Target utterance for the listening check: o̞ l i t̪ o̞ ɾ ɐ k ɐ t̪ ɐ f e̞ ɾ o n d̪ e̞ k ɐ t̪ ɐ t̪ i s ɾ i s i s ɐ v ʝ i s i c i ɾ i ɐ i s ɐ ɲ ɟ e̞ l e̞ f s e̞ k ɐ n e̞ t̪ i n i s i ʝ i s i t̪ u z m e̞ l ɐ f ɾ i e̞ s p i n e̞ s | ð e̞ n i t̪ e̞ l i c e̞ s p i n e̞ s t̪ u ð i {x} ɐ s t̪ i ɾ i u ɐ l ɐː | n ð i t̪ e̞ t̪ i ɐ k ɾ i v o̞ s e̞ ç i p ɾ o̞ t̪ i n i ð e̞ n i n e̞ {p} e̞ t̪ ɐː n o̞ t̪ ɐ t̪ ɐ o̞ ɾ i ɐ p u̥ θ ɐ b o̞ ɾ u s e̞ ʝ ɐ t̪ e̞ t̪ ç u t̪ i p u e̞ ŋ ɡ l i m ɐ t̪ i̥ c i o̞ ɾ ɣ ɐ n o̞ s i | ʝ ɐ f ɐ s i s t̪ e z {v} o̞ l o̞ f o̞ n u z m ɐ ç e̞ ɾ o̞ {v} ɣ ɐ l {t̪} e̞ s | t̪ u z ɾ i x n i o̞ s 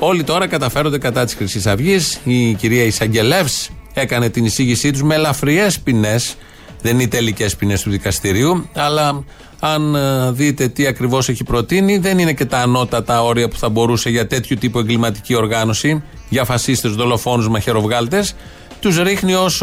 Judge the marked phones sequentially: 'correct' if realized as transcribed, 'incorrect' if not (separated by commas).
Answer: incorrect, incorrect, incorrect, correct, correct